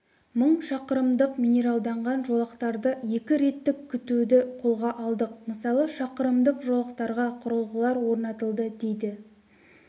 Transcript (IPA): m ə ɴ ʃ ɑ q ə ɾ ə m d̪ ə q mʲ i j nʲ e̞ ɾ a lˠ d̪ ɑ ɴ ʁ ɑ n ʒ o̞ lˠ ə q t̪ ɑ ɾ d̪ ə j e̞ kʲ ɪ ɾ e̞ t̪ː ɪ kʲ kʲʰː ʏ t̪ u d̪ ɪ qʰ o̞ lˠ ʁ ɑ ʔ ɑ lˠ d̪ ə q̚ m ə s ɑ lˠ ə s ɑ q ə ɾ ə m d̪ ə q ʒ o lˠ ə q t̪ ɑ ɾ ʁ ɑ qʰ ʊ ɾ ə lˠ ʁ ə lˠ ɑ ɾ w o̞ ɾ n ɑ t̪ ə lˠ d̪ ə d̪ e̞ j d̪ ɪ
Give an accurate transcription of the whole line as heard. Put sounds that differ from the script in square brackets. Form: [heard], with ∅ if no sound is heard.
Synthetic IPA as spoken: m ə ɴ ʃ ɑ q ə ɾ ə m d̪ ə q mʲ i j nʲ e̞ ɾ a lˠ d̪ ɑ ɴ ʁ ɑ n ʒ o̞ lˠ ə q t̪ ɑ ɾ d̪ ə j e̞ kʲ ɪ ɾ e̞ t̪ː ɪ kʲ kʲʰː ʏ t̪ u d̪ ɪ qʰ o̞ lˠ ʁ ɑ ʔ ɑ lˠ d̪ ə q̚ m ə s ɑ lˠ ə [ʃ] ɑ q ə ɾ ə m d̪ ə q ʒ o lˠ ə q t̪ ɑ ɾ ʁ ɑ qʰ ʊ ɾ ə lˠ ʁ ə lˠ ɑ ɾ w o̞ ɾ n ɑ t̪ ə lˠ d̪ ə d̪ e̞ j d̪ ɪ